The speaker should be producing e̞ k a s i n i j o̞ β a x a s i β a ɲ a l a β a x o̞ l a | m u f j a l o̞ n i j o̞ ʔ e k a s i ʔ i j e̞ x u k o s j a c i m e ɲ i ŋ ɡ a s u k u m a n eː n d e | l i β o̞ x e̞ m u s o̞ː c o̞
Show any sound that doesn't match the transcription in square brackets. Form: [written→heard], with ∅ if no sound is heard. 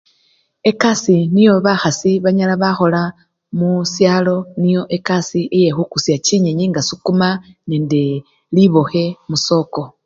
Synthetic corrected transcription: e̞ k a s i n i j o̞ β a x a s i β a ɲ a l a β a x o̞ l a | m u [f→s] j a l o̞ n i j o̞ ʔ e k a s i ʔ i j e̞ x u k [o→u] s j a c i [m→ɲ] e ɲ i ŋ ɡ a s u k u m a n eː n d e | l i β o̞ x e̞ m u s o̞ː [c→k] o̞